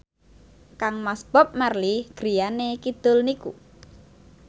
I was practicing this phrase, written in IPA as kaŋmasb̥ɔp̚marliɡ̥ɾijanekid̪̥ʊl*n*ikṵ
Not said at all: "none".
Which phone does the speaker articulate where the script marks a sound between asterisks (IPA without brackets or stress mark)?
n